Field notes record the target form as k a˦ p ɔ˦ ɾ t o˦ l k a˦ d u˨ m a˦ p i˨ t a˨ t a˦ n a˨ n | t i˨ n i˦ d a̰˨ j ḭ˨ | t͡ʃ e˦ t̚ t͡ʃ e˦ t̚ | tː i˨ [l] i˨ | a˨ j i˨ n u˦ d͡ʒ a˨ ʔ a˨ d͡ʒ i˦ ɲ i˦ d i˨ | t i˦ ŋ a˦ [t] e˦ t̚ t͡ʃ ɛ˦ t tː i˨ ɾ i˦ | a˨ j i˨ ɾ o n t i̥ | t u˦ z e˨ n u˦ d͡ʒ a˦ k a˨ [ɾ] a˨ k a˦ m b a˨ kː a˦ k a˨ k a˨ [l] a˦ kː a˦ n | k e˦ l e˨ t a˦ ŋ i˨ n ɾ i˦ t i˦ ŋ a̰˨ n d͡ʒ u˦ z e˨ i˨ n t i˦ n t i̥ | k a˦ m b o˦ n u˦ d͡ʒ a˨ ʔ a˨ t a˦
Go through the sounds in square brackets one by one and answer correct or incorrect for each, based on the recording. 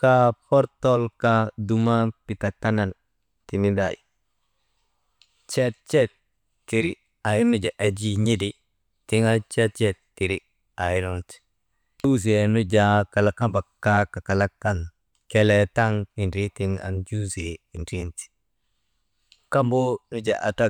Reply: incorrect: ɾ, incorrect: t͡ʃ, incorrect: l, correct

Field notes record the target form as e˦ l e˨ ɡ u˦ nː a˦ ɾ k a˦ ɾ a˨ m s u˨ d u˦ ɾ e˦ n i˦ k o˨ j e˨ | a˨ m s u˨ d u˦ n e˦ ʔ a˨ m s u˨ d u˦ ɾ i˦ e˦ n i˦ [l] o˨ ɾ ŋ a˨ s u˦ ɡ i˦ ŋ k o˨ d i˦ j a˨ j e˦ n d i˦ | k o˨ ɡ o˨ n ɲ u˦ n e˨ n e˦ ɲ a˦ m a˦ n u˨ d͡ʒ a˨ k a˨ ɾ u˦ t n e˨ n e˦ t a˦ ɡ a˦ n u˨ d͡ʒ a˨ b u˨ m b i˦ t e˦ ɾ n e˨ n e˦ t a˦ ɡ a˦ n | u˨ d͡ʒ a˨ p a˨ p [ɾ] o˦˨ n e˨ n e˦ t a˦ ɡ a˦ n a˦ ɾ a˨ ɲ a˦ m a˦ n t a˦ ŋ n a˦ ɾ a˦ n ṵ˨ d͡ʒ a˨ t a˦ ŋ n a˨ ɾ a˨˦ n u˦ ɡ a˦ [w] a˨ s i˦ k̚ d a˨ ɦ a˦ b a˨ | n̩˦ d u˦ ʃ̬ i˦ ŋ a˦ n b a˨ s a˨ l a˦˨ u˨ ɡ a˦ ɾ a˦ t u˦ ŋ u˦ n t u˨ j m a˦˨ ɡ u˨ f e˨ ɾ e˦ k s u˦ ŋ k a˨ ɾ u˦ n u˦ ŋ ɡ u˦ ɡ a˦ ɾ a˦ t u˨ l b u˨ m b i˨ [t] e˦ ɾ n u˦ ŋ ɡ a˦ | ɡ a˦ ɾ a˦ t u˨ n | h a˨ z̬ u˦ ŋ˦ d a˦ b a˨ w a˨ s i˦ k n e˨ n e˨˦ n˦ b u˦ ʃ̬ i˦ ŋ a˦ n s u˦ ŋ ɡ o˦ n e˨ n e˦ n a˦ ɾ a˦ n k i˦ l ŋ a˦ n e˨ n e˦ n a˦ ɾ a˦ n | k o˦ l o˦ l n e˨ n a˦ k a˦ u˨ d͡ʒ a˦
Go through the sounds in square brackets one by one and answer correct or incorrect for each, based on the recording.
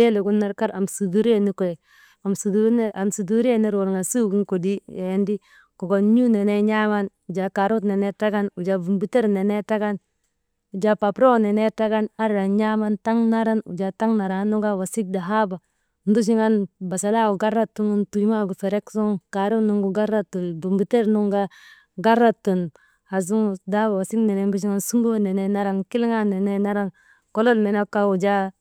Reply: incorrect: ɾ, correct, correct, correct

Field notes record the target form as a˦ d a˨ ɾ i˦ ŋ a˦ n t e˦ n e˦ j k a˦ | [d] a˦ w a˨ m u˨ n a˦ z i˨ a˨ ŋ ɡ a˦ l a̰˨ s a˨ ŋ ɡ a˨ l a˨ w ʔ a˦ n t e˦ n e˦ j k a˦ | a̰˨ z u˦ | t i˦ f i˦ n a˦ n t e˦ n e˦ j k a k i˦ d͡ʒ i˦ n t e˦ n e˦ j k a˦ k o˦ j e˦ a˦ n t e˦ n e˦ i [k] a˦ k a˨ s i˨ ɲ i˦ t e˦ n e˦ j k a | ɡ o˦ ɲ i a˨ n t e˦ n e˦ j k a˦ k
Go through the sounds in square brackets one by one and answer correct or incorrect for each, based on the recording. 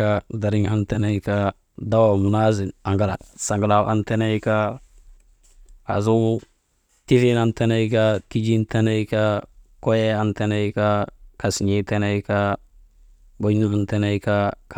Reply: correct, correct

